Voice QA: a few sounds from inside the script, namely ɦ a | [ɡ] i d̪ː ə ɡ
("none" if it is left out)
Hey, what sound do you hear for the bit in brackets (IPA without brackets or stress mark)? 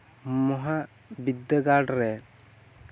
b